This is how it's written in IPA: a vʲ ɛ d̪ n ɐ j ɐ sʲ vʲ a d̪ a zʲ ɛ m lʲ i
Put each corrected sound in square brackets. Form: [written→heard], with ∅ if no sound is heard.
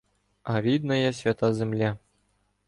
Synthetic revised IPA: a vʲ [ɛ→i] d̪ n ɐ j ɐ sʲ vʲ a [d̪→t̪] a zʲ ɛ m lʲ [i→a]